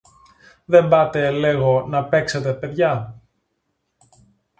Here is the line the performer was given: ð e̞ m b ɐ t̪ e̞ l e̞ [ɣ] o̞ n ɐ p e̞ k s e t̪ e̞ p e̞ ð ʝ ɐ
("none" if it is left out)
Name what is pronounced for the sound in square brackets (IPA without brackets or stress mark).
ɣ